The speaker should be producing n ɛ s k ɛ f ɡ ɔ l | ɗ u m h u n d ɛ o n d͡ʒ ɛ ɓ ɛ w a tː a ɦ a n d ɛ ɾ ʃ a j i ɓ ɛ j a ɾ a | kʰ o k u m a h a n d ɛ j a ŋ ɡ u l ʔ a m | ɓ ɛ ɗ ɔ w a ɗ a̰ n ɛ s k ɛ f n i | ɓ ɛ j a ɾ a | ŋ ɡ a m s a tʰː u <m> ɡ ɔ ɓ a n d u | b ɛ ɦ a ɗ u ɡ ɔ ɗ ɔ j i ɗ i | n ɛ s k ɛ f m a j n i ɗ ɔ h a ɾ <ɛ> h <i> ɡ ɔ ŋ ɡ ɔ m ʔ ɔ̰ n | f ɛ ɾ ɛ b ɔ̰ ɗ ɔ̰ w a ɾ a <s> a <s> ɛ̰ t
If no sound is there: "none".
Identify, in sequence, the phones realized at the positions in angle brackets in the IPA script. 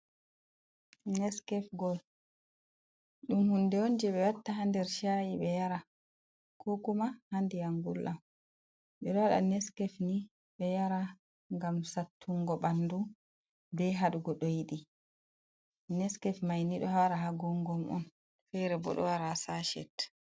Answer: ŋ, a, a, s, ʃ

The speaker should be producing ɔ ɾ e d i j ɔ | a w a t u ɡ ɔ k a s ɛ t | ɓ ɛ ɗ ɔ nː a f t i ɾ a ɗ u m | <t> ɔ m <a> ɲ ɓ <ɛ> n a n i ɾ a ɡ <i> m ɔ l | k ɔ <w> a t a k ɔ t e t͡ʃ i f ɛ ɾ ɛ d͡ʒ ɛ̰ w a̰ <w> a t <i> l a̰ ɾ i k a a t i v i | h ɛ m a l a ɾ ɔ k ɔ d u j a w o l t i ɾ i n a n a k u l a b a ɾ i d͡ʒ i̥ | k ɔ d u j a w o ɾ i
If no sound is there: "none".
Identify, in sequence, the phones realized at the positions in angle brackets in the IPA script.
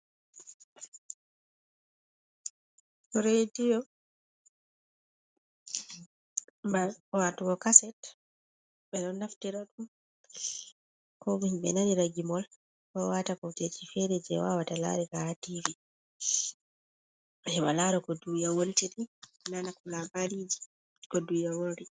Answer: k, i, ɛ, i, w, w, a

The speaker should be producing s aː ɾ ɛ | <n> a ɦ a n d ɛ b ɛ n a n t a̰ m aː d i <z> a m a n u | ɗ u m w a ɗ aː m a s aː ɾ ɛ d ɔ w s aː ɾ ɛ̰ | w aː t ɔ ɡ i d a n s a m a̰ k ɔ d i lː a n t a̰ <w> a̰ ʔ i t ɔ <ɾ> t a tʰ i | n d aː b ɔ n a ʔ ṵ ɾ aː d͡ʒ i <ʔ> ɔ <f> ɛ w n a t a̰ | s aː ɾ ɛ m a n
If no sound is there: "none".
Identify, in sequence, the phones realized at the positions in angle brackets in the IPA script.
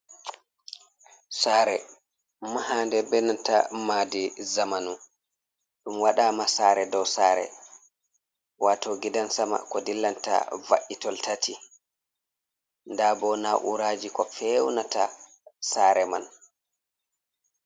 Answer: m, z, v, l, k, f

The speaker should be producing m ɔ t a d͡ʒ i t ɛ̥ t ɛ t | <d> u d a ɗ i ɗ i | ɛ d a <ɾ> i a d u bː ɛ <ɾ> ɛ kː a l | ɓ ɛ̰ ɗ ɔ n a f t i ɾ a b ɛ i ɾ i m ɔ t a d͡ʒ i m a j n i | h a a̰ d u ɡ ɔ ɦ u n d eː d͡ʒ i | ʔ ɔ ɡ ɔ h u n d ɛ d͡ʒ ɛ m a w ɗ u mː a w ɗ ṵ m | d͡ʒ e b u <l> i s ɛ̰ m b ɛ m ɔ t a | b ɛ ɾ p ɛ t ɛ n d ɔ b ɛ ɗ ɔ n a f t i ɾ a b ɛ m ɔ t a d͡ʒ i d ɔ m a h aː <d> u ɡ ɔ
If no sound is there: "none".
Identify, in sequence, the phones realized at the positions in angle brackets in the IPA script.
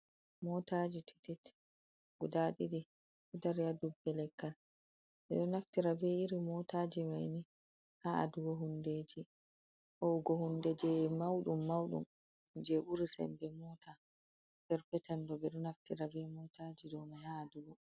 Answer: ɡ, ɾ, l, ɾ, d

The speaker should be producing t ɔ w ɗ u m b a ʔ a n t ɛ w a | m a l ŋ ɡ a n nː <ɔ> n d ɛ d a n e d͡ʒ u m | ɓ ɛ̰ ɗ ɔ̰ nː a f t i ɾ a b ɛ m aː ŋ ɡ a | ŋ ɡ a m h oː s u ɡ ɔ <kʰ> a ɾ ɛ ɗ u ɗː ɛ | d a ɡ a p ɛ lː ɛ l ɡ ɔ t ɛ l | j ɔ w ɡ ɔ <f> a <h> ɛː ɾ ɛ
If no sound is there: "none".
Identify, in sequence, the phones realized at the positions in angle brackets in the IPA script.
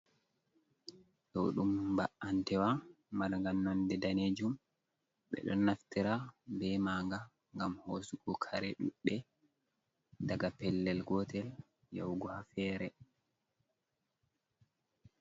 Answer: ɔ, kʰ, h, f

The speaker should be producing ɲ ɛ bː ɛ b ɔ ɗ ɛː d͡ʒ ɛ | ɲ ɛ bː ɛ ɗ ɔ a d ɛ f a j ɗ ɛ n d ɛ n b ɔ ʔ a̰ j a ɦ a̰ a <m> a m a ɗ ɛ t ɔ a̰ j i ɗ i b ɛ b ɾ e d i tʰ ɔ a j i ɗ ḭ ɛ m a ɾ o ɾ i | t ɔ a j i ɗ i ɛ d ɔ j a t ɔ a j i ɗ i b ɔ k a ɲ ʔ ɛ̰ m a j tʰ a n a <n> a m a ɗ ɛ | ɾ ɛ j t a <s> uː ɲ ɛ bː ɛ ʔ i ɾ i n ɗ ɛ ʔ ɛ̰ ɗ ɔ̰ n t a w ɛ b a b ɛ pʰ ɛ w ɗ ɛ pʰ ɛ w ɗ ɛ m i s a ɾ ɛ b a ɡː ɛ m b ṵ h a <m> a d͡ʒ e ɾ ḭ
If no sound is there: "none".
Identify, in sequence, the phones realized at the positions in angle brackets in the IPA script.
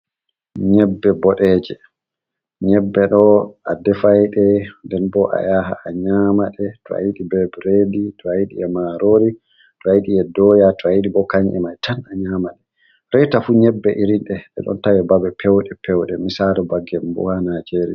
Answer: ɲ, ɲ, f, n

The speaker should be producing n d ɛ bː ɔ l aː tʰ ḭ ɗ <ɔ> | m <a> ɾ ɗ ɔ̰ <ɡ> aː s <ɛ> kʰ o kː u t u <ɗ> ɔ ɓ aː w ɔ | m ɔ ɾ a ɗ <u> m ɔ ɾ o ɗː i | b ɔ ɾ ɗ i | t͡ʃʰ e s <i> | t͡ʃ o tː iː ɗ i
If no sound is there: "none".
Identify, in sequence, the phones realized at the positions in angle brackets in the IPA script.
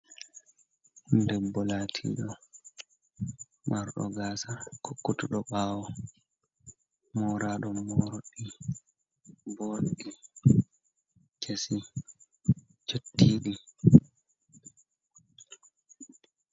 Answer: ɔ, a, ɡ, a, ɗ, ɔ, i

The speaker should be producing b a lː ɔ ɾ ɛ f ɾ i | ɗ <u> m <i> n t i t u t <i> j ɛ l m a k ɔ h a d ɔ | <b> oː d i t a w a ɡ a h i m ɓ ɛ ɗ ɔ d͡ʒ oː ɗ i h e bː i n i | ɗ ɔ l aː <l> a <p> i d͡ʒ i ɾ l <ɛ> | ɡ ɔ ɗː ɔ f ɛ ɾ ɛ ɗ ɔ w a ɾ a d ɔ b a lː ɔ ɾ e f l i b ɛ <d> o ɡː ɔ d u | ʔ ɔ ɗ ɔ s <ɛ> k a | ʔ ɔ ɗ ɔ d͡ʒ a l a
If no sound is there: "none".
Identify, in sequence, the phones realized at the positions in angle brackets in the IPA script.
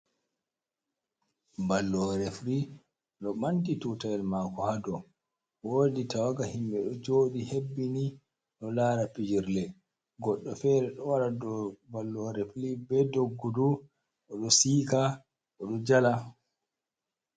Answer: ɔ, a, a, w, ɾ, p, ɛ, d, i

